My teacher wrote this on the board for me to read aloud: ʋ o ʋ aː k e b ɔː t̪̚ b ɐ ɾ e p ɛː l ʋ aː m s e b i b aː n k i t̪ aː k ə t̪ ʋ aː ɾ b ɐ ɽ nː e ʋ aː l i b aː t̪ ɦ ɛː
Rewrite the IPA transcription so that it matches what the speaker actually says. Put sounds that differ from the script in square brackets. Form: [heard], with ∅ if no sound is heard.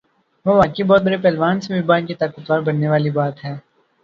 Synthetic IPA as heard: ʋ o ʋ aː k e b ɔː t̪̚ b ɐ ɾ e p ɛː l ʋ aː [n] s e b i b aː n k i t̪ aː k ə t̪ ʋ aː ɾ b ɐ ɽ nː e ʋ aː l i b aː t̪ ɦ ɛː